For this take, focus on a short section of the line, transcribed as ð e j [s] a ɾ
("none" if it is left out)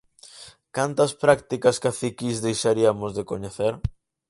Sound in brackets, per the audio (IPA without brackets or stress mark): ʃ